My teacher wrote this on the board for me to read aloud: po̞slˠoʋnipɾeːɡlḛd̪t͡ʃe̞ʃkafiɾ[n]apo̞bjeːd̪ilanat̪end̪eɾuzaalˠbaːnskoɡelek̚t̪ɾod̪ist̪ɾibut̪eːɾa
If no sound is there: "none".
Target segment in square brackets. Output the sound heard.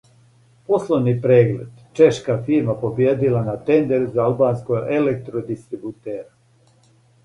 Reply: m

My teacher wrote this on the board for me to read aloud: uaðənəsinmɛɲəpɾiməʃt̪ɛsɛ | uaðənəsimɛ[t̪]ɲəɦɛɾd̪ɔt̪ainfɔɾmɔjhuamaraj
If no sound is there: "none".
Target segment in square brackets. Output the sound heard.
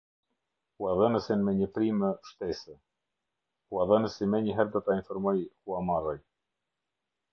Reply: none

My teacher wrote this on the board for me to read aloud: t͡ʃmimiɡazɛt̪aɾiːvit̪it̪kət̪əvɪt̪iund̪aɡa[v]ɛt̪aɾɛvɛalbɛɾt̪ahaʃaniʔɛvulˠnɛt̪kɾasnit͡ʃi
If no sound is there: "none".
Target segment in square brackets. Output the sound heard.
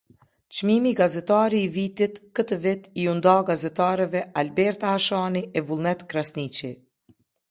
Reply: z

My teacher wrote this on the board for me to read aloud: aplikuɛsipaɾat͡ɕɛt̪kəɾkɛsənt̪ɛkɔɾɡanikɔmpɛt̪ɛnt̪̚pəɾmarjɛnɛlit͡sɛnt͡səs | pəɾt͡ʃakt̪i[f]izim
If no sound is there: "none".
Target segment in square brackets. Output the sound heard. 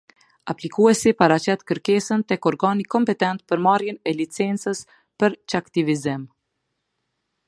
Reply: v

